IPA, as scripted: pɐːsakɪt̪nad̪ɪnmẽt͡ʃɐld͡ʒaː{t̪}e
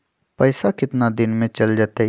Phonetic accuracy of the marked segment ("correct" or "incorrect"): correct